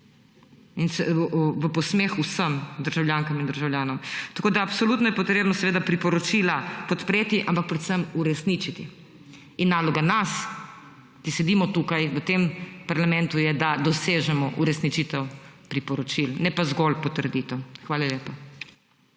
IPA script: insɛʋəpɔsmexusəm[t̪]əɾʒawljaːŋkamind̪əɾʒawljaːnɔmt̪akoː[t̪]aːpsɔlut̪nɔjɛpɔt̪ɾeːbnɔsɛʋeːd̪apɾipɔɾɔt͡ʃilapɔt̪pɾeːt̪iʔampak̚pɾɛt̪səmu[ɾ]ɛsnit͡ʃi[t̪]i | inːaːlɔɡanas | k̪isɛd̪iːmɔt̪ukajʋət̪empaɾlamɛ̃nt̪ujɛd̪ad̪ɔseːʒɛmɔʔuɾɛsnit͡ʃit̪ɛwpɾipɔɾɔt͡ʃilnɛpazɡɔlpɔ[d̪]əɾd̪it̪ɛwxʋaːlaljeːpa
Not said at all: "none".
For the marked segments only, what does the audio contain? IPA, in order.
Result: d̪, d̪, ɾ, t̪, t̪

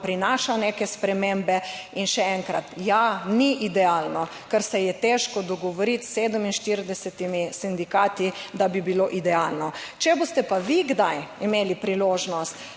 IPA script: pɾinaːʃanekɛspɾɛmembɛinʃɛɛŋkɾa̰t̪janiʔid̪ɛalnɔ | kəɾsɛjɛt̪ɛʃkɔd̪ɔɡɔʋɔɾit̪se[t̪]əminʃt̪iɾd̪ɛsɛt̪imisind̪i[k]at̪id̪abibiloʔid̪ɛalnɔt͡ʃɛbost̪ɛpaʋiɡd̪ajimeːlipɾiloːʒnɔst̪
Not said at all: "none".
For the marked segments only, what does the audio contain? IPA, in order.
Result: d̪, k

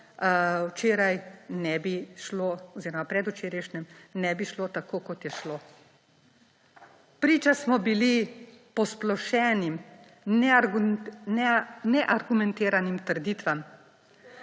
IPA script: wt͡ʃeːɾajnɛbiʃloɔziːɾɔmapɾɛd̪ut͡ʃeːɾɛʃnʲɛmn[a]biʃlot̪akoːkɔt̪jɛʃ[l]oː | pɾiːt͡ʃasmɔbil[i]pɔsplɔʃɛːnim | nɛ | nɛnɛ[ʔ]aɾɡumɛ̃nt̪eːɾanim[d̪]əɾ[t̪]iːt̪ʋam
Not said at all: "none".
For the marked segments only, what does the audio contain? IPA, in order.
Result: ɛ, l, i, ʔ, t̪, d̪

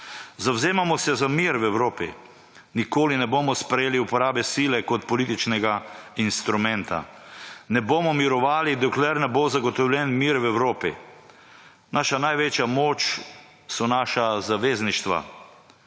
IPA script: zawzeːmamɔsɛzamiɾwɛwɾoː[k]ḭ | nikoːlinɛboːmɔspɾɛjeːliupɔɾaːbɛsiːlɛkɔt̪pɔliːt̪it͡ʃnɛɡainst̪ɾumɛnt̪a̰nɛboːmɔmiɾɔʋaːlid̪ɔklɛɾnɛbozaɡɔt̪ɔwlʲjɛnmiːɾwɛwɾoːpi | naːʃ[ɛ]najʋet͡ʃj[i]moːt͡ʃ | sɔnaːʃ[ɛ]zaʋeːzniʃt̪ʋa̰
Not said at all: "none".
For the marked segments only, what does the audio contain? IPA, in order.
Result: p, a, a, a

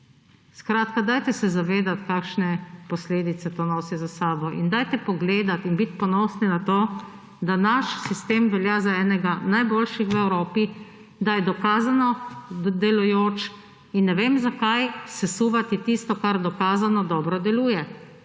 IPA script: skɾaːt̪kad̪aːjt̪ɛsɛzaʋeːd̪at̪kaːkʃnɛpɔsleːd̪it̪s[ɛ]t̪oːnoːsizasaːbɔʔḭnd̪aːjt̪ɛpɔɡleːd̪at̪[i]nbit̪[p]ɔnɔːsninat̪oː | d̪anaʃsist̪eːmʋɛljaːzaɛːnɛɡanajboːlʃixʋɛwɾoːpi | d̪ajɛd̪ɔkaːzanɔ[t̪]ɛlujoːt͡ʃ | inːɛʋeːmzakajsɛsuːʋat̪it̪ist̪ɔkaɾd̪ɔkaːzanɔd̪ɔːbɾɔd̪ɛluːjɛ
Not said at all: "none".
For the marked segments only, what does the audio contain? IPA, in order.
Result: ɛ, i, p, d̪

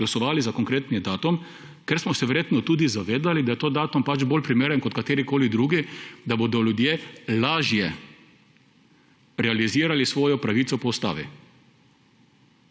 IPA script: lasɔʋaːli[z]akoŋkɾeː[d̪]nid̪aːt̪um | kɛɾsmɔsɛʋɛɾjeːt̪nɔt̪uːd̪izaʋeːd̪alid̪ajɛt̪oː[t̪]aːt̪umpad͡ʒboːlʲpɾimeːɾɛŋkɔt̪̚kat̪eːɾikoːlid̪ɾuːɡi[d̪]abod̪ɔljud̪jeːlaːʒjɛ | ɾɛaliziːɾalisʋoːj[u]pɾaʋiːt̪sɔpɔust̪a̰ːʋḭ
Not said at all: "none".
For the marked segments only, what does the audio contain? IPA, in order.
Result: z, t̪, d̪, d̪, ɔ

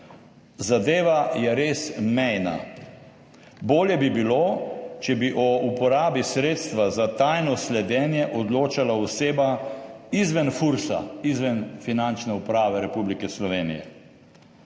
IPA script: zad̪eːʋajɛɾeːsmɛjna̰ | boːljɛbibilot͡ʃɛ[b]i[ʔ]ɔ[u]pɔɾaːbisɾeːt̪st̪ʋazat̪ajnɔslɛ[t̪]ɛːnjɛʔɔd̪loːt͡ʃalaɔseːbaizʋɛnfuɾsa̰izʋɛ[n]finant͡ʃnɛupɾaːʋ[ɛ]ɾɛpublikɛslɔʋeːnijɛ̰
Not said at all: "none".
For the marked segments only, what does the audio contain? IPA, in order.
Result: b, ʔ, u, d̪, n, ɛ

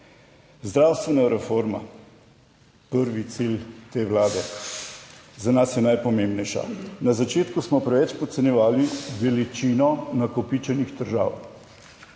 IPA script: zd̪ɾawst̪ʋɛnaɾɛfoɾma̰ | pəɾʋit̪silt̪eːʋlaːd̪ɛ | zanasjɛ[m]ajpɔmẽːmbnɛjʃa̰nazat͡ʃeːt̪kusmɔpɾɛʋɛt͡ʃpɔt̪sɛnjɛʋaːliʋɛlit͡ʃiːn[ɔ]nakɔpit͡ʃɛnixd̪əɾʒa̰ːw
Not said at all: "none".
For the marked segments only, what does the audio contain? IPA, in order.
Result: n, ɔ

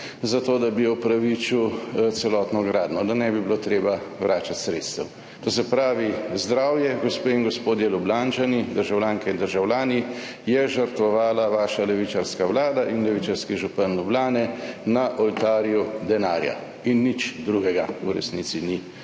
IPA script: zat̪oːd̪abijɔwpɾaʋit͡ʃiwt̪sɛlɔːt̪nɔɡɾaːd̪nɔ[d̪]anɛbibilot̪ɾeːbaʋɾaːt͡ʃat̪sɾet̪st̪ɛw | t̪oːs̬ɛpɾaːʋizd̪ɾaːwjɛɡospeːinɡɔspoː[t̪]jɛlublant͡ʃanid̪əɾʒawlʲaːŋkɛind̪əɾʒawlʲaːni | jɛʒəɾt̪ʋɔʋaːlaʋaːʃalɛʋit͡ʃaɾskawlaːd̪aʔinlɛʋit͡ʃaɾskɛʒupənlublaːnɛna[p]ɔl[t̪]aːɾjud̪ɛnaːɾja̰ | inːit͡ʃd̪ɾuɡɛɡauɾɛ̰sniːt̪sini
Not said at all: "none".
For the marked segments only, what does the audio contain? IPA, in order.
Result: d̪, d̪, ʔ, t̪

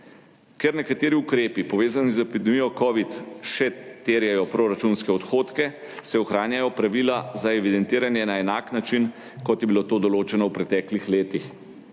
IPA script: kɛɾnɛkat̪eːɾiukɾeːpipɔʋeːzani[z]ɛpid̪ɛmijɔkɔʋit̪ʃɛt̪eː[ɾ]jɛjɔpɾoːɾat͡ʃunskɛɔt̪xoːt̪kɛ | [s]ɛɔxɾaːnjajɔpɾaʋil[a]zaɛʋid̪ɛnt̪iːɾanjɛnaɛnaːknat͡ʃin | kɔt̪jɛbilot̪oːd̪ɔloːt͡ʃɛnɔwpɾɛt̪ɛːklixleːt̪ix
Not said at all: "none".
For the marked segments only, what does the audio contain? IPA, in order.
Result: z, ɾ, s, a

